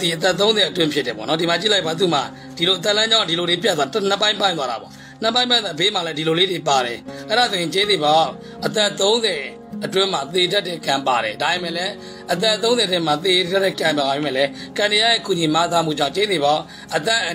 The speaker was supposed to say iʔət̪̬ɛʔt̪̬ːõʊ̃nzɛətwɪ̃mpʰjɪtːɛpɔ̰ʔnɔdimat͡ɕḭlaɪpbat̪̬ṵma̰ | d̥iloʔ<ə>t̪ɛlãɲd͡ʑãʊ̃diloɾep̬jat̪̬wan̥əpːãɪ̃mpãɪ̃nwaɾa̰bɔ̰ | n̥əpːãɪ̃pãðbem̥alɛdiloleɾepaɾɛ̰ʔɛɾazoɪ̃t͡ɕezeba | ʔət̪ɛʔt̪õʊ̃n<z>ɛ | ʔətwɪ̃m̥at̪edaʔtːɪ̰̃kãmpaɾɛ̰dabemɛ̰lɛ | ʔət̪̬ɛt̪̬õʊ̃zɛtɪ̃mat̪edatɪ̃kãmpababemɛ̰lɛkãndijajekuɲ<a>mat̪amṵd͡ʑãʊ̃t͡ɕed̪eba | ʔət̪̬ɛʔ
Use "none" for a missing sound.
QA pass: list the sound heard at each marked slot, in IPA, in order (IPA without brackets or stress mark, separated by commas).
ə, z, i